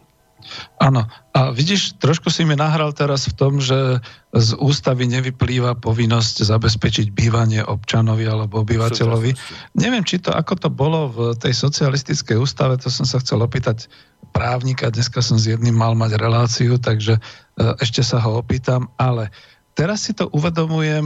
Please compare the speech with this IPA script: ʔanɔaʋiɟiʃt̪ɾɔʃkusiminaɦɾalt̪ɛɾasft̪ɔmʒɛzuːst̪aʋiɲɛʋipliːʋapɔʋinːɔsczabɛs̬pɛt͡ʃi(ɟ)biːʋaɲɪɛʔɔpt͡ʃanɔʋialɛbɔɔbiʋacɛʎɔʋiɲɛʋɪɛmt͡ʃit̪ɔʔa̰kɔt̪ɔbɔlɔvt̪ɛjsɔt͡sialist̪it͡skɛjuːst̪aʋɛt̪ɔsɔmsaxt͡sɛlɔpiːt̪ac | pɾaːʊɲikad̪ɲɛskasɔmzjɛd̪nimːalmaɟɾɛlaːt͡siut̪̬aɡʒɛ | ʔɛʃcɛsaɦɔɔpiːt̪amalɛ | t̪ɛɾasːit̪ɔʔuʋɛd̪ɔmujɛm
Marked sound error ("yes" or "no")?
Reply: no